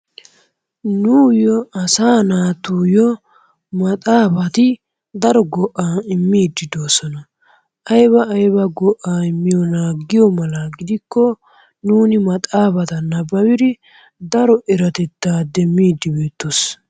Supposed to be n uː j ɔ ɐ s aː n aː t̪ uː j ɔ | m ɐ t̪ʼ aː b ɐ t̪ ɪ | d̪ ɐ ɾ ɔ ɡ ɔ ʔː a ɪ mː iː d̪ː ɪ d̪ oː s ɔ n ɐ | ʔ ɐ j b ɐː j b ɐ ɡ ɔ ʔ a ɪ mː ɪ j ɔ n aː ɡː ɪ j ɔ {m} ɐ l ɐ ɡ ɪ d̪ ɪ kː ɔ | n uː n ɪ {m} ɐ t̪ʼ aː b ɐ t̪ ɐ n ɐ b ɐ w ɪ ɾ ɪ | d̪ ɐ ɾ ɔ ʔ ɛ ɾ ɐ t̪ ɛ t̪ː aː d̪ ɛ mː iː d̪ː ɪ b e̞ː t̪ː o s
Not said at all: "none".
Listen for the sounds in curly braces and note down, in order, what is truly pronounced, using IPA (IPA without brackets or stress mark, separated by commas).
m, m